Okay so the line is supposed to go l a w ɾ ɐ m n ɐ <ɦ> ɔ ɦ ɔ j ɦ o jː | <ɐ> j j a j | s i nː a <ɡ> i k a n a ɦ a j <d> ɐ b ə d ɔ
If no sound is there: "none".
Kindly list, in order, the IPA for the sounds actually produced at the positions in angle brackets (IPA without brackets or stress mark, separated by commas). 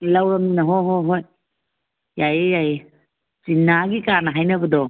ɦ, a, ɡ, n